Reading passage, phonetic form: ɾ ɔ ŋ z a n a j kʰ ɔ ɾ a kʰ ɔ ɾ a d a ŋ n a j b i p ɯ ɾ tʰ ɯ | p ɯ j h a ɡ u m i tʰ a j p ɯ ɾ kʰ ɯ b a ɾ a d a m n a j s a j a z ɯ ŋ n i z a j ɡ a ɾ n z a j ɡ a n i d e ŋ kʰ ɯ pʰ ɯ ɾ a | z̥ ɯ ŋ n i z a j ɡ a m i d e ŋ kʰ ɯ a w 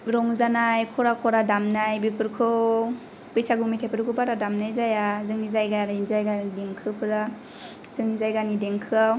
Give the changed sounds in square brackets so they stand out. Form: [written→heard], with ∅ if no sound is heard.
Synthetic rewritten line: ɾ ɔ ŋ z a n a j kʰ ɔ ɾ a kʰ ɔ ɾ a d a [ŋ→m] n a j b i p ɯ ɾ [tʰ→kʰ] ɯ | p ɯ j [h→s] a ɡ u m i tʰ a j p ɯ ɾ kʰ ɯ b a ɾ a d a m n a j [s→z] a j a z ɯ ŋ n i z a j ɡ a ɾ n z a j ɡ a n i d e ŋ kʰ ɯ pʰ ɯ ɾ a | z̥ ɯ ŋ n i z a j ɡ a [m→n] i d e ŋ kʰ ɯ a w